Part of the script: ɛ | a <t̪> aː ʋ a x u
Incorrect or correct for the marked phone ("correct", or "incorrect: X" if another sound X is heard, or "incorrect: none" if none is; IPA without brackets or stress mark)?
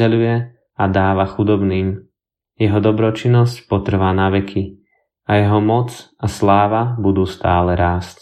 incorrect: d̪